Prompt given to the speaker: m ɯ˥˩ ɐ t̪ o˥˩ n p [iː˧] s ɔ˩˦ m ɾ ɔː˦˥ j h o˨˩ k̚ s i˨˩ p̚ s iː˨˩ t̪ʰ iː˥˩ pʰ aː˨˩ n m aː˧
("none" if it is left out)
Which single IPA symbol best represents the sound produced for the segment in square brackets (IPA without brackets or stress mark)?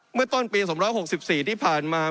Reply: iː˧